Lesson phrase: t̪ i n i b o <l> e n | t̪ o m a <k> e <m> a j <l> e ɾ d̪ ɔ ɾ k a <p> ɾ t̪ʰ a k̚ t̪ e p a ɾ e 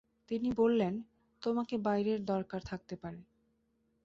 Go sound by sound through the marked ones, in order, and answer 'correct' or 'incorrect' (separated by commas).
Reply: incorrect, correct, incorrect, incorrect, incorrect